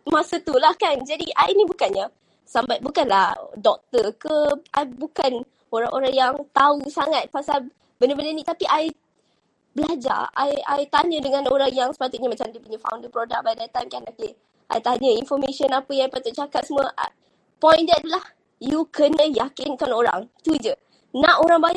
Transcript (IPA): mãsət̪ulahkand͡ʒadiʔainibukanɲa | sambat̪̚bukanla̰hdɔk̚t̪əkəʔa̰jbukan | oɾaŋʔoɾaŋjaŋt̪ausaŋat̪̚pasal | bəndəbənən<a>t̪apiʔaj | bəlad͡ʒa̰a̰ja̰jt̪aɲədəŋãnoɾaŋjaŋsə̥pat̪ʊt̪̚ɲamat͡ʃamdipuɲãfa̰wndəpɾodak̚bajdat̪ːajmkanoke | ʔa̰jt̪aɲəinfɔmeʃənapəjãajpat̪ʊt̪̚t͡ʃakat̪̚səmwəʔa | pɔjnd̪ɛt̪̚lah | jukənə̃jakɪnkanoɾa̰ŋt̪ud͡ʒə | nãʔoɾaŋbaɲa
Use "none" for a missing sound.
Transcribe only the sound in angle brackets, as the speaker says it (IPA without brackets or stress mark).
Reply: i